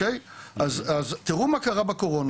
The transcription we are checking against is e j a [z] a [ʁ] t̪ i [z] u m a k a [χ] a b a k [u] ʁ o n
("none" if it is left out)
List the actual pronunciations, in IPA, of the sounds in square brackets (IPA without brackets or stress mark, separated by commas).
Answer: z, z, ʁ, ʁ, o